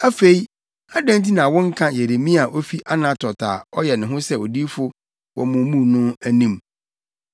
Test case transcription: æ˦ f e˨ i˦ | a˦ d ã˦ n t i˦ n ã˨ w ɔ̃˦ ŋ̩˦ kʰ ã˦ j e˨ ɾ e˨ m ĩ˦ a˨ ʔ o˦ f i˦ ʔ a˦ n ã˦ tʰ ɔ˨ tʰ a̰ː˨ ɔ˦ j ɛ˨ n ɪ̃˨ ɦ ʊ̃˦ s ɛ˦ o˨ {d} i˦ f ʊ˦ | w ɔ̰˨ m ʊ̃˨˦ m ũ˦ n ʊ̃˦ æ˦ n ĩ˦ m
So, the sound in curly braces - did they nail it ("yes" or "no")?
yes